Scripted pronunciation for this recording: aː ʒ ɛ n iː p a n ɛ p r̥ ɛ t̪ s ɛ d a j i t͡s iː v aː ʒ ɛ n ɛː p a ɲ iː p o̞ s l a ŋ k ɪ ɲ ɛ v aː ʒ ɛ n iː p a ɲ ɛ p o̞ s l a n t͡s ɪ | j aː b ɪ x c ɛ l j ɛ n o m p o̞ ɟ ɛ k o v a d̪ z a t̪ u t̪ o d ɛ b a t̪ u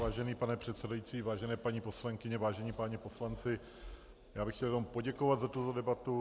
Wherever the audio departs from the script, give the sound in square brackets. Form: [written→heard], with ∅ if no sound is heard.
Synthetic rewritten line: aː ʒ ɛ n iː p a n ɛ p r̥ ɛ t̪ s ɛ d a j i t͡s iː v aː ʒ ɛ n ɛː p a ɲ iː p o̞ s l a ŋ k ɪ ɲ ɛ v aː ʒ ɛ [n→ɲ] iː p a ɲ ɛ p o̞ s l a n t͡s ɪ | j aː b ɪ x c ɛ l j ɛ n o m p o̞ ɟ ɛ k o v a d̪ z a t̪ u t̪ o d ɛ b a t̪ u